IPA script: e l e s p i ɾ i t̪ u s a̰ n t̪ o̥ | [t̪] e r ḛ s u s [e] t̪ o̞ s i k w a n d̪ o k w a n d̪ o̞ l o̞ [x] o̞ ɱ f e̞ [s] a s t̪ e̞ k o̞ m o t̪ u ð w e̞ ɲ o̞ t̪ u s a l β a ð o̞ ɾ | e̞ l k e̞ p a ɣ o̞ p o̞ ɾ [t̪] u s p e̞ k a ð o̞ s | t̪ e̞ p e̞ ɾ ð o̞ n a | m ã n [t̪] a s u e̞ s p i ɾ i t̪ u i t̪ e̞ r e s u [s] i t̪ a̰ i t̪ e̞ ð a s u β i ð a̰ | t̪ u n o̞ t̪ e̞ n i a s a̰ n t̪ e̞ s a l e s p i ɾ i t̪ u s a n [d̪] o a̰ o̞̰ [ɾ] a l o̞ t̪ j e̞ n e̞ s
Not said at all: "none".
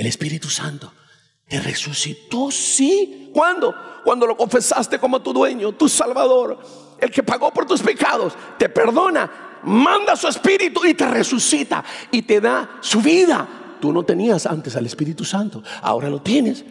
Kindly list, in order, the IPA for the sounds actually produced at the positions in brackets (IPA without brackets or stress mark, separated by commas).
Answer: t̪, i, k, s, t̪, d̪, s, t̪, ɾ